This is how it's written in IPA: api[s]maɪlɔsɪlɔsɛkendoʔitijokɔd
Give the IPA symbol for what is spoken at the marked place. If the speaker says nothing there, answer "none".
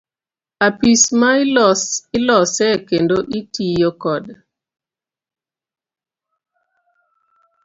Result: s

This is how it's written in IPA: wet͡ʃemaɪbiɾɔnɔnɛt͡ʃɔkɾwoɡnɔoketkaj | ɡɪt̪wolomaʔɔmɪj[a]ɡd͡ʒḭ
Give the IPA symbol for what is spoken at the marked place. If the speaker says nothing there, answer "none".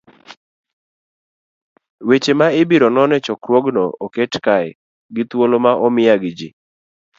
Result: a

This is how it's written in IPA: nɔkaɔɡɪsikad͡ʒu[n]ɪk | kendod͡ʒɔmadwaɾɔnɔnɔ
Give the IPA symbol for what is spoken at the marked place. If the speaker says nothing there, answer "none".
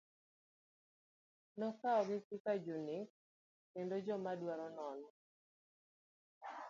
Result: n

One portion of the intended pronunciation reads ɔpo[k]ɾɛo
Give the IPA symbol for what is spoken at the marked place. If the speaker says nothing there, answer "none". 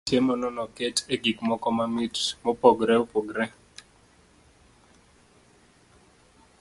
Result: ɡ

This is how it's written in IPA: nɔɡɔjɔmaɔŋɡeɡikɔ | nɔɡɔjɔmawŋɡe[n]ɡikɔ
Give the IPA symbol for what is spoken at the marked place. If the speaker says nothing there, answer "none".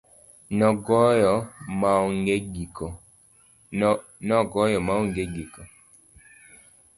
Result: none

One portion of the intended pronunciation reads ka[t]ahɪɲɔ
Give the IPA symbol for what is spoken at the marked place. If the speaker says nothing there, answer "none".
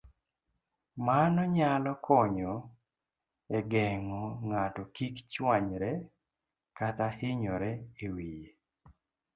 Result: t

